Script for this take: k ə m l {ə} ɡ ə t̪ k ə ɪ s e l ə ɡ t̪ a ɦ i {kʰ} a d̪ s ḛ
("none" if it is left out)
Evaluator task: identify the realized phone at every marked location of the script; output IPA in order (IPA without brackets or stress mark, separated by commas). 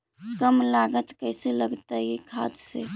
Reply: a, kʰ